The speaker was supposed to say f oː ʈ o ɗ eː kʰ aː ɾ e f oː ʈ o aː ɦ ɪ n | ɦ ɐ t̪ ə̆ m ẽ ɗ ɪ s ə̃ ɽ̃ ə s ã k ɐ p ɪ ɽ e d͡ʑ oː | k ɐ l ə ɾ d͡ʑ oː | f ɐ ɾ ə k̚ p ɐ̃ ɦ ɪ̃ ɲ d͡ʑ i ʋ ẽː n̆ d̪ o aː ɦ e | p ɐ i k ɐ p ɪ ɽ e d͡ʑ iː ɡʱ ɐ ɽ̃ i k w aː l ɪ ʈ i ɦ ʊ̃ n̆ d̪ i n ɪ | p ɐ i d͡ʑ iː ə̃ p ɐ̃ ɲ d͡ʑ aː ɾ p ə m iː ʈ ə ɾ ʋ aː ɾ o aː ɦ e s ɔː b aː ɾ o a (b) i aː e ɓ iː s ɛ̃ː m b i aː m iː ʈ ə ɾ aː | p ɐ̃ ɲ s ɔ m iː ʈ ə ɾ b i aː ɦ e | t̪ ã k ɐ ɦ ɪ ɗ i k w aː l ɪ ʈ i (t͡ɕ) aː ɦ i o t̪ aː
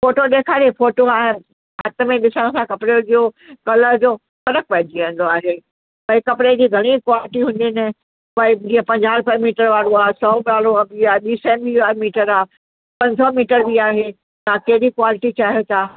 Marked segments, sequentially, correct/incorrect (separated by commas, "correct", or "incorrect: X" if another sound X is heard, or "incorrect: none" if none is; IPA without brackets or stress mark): correct, correct